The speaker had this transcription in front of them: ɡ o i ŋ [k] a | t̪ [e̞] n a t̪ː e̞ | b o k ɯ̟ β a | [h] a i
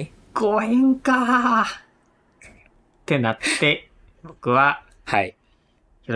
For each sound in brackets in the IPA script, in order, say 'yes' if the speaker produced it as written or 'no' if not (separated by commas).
yes, yes, yes